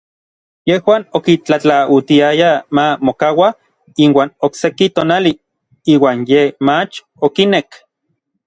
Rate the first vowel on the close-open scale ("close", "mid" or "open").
mid